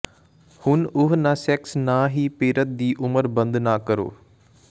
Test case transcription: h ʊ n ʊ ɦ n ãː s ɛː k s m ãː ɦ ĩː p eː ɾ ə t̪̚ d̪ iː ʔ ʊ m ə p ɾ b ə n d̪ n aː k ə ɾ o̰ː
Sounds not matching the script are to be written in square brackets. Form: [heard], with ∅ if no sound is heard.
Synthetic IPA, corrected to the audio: h ʊ n ʊ ɦ n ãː s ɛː k s [n] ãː ɦ [iː] p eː ɾ ə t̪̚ d̪ iː ʔ ʊ m ə [∅] ɾ b ə n d̪ n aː k ə ɾ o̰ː